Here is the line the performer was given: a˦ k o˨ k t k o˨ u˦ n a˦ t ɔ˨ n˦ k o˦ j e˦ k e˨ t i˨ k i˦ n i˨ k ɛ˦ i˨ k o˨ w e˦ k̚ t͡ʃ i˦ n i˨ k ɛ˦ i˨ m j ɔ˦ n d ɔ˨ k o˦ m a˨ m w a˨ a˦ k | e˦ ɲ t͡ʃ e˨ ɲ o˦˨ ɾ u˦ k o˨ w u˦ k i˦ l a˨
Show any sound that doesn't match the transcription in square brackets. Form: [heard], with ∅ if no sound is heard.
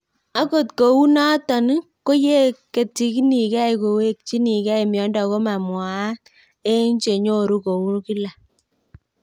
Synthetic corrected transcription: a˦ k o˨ [∅] t k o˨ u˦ n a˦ t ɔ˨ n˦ k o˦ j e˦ k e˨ t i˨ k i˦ n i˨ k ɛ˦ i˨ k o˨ w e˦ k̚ t͡ʃ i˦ n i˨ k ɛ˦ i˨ m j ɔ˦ n d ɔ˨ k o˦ m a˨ m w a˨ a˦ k | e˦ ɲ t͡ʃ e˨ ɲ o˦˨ ɾ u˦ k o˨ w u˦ k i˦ l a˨